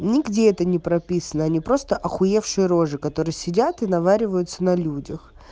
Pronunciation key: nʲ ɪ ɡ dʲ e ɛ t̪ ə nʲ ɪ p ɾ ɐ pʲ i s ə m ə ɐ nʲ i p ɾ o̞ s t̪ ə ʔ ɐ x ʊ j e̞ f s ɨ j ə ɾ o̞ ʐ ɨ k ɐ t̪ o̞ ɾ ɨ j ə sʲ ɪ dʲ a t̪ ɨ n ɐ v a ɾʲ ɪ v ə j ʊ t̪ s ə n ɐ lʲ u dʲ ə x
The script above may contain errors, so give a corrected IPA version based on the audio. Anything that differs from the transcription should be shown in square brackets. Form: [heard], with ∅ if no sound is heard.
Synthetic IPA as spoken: nʲ ɪ ɡ dʲ e ɛ t̪ ə nʲ ɪ p ɾ ɐ pʲ i s ə [n] ə ɐ nʲ i p ɾ o̞ s t̪ ə ʔ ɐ x ʊ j e̞ f [ʂ] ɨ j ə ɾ o̞ ʐ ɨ k ɐ t̪ o̞ ɾ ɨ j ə sʲ ɪ dʲ a t̪ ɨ n ɐ v a ɾʲ ɪ v ə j ʊ t̪ s ə n ɐ lʲ u dʲ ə x

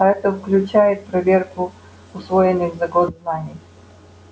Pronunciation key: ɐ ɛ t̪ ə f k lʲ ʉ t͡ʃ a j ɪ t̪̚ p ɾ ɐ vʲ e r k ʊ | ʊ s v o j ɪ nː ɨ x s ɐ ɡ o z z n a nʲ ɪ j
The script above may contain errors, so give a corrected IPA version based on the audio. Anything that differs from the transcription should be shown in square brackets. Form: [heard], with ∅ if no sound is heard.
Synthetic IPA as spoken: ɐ ɛ t̪ ə f k lʲ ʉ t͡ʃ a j ɪ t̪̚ p ɾ ɐ vʲ e r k ʊ | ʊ s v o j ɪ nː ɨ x [z] ɐ ɡ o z z n a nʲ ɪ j

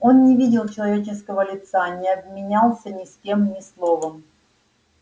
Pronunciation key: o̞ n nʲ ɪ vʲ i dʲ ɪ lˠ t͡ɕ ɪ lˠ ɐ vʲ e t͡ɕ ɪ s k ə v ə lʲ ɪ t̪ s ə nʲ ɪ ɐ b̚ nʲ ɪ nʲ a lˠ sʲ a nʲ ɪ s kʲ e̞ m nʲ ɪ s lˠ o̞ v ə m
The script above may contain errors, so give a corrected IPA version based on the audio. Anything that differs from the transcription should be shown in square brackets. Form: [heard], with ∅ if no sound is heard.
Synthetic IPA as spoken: o̞ n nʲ ɪ vʲ i dʲ ɪ lˠ t͡ɕ ɪ lˠ ɐ vʲ e t͡ɕ ɪ s k ə v ə lʲ ɪ t̪ s [a] nʲ ɪ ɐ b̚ [mʲ] ɪ nʲ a lˠ sʲ [ə] nʲ ɪ s kʲ e̞ m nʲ ɪ s lˠ o̞ v ə m

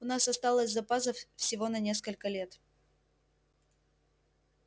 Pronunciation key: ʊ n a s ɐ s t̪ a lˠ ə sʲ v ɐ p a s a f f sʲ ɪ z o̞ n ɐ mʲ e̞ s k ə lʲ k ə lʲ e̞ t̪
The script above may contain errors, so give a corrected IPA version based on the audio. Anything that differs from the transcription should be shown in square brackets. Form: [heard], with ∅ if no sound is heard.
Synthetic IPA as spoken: ʊ n a s ɐ s t̪ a lˠ ə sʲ [z] ɐ p a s [ə] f f sʲ ɪ [v] o̞ n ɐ [nʲ] e̞ s k ə lʲ k ə lʲ e̞ t̪

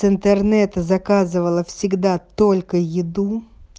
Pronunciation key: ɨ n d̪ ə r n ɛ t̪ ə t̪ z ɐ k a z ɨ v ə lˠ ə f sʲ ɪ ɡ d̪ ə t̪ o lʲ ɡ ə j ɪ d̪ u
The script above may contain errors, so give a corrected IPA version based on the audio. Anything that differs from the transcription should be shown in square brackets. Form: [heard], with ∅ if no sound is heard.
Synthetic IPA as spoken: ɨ n [t̪] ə r n ɛ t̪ ə [∅] z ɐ k a z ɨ v ə lˠ ə f sʲ ɪ ɡ d̪ [a] t̪ o lʲ [k] ə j ɪ d̪ u

